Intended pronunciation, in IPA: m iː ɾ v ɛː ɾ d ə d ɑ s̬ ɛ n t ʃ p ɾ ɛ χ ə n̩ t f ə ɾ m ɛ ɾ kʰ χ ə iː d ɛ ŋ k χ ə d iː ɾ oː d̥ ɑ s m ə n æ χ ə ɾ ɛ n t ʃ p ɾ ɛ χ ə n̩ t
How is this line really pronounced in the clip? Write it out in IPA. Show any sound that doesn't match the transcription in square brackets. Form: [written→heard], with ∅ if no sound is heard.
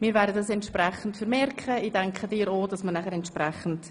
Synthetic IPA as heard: m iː ɾ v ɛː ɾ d ə d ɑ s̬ ɛ n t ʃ p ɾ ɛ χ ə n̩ t f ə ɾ m ɛ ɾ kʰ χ ə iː d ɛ ŋ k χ ə d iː ɾ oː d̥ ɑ s m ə n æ χ ə ɾ ɛ n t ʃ p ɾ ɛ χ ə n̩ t